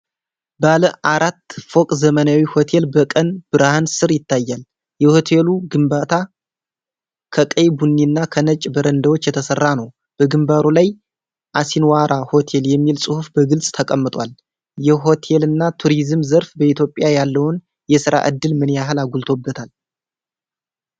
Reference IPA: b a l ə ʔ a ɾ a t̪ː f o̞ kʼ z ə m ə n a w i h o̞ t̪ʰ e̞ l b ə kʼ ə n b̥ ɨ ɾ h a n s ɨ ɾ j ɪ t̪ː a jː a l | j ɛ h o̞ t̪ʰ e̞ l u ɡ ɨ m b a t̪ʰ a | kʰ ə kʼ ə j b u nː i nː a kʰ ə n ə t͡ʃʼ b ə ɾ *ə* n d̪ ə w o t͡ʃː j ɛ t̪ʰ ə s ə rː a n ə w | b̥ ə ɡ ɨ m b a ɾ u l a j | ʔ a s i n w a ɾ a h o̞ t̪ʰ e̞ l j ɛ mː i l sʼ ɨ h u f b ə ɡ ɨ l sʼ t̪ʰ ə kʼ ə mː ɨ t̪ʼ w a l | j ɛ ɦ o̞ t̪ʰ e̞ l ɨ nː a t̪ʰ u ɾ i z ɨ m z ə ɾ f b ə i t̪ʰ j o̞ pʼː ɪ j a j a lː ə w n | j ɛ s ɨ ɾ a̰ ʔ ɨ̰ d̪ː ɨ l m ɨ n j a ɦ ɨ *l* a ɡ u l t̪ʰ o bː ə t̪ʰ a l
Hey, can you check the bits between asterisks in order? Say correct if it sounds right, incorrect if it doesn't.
correct, correct

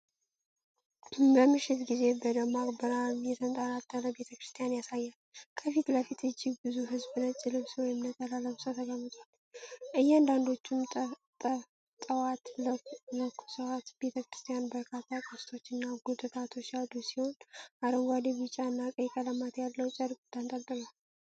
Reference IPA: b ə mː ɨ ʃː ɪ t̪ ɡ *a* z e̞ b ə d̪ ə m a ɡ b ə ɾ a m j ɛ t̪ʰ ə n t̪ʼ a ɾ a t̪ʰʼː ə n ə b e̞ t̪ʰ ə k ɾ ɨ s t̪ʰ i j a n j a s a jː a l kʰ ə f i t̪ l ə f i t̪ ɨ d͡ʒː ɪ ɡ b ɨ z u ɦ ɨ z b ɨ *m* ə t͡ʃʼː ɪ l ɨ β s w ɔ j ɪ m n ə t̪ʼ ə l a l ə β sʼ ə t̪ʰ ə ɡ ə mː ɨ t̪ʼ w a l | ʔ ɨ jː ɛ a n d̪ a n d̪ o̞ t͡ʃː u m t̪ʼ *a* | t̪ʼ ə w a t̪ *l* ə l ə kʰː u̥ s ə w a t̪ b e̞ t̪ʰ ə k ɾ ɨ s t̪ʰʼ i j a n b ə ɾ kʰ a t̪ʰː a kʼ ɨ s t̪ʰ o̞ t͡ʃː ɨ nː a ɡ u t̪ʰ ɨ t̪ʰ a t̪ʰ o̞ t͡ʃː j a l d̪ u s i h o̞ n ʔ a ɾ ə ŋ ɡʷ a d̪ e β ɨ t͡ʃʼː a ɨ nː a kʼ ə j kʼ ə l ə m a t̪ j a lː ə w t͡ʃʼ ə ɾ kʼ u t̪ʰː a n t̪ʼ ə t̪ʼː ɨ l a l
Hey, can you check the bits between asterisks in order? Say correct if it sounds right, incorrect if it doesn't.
incorrect, incorrect, incorrect, correct

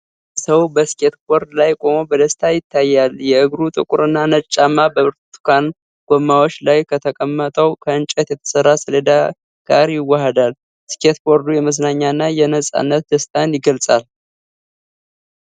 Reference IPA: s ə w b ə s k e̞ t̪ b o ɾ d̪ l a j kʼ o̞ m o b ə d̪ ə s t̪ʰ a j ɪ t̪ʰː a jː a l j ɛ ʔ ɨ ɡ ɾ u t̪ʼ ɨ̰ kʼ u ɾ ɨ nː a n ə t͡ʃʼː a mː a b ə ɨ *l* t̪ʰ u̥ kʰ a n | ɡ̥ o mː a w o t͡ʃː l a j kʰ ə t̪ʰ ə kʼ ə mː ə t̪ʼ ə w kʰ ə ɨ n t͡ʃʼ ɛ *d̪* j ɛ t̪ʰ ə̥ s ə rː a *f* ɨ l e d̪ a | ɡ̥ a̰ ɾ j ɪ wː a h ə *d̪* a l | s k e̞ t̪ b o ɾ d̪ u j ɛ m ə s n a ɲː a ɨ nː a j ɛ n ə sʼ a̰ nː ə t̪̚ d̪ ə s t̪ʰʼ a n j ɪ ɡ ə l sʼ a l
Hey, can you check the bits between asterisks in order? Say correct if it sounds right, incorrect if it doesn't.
incorrect, incorrect, incorrect, correct

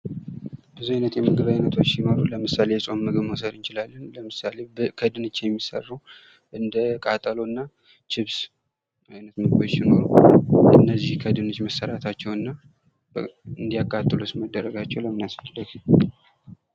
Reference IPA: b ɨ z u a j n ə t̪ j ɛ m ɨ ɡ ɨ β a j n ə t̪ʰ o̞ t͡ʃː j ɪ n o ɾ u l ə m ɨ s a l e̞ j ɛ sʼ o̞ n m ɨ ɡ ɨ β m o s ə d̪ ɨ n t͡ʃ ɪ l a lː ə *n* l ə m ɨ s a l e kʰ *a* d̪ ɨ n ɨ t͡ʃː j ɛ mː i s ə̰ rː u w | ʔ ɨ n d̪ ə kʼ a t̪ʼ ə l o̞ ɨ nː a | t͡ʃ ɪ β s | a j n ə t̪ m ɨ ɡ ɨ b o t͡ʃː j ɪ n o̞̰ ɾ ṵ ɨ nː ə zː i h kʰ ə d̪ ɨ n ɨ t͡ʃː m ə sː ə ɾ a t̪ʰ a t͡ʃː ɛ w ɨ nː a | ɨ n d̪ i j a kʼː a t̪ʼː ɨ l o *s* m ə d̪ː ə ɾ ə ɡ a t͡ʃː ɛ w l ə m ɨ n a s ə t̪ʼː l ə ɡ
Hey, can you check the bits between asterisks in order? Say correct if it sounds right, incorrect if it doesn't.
correct, incorrect, correct

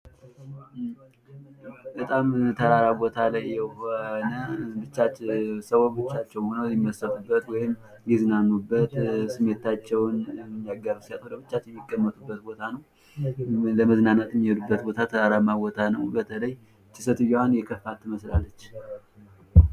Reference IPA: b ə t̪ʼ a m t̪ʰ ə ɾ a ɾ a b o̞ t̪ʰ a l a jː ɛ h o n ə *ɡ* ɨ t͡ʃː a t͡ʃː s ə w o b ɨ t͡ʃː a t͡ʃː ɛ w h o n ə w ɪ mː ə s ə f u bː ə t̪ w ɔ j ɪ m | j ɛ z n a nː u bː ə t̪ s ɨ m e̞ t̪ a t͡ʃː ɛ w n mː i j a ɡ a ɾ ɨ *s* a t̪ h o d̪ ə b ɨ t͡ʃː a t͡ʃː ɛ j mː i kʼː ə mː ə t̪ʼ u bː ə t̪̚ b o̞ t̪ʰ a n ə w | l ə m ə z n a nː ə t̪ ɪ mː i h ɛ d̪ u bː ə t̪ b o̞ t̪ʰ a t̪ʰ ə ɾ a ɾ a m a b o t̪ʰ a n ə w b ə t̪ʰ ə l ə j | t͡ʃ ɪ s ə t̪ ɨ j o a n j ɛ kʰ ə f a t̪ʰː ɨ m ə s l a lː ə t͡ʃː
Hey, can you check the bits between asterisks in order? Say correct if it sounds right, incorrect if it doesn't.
incorrect, correct

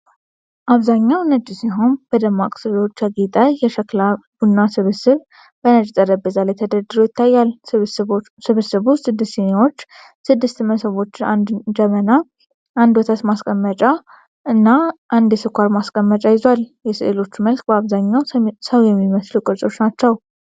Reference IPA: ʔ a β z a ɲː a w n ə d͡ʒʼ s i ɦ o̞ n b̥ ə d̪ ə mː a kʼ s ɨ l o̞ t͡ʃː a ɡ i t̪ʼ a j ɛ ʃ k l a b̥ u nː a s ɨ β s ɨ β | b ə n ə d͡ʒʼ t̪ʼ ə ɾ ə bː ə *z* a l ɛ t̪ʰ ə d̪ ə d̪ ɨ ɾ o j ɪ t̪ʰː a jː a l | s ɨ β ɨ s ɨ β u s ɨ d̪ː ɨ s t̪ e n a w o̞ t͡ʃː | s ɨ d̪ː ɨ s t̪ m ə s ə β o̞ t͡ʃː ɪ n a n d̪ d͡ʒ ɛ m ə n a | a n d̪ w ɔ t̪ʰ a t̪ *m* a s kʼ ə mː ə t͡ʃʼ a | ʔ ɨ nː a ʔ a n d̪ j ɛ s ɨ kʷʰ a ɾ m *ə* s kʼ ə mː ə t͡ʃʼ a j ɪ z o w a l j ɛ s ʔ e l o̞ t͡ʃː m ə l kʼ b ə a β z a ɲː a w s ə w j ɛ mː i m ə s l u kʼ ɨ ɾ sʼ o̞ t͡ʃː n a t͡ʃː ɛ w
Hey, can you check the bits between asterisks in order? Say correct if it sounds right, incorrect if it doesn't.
correct, correct, incorrect

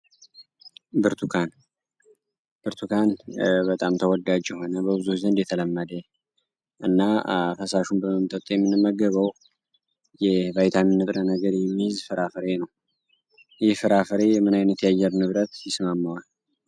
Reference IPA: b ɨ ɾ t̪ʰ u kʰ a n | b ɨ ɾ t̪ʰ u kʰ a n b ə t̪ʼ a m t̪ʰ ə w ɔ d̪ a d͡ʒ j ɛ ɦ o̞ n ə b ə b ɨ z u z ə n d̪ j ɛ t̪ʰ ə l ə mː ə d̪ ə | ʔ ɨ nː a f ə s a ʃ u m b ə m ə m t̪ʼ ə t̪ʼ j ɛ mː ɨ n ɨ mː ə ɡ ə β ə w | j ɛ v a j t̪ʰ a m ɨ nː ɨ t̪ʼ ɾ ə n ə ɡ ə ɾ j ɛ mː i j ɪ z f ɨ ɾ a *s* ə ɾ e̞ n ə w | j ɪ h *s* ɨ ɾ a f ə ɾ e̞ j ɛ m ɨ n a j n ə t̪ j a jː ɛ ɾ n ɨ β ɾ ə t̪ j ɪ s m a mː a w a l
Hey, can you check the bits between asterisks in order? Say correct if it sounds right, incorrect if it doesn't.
incorrect, incorrect

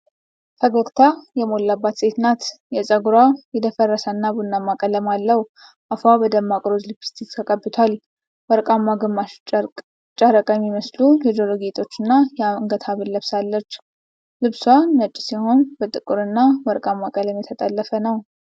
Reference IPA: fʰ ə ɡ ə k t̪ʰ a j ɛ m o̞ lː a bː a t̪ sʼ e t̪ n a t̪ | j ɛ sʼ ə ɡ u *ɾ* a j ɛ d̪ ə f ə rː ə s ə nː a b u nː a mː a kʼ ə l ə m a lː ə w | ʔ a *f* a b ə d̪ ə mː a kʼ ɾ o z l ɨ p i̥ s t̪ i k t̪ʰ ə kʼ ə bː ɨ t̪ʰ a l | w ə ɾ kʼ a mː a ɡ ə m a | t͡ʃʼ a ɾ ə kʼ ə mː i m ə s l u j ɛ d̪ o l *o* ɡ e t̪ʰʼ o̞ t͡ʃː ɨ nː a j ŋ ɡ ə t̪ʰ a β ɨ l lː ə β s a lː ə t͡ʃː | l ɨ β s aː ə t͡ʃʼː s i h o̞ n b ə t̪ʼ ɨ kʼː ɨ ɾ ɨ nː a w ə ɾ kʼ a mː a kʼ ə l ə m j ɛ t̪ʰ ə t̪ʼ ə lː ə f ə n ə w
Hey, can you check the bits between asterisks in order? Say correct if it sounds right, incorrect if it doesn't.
correct, correct, correct

